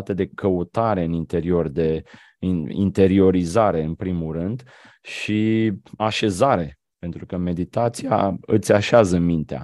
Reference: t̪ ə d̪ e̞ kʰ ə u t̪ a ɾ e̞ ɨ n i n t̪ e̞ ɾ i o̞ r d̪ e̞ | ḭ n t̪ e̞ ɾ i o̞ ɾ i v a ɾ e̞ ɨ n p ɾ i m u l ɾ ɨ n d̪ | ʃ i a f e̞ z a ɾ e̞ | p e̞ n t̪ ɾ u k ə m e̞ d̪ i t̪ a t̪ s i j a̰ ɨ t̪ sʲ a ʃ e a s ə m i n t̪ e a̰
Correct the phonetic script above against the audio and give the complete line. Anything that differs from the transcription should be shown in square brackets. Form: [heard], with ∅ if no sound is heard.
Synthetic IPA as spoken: t̪ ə d̪ e̞ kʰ ə u t̪ a ɾ e̞ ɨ n i n t̪ e̞ ɾ i o̞ r d̪ e̞ | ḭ n t̪ e̞ ɾ i o̞ ɾ i [z] a ɾ e̞ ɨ n p ɾ i m u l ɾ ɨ n d̪ | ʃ i a [ʃ] e̞ z a ɾ e̞ | p e̞ n t̪ ɾ u k ə m e̞ d̪ i t̪ a t̪ s i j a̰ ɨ t̪ sʲ a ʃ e a [z] ə m i n t̪ e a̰